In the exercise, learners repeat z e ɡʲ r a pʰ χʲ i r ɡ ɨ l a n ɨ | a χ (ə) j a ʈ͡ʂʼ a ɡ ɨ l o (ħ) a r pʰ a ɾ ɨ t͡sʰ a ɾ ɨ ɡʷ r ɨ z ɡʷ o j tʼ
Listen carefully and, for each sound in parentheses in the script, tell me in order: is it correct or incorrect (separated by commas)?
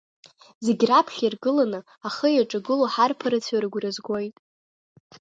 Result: correct, correct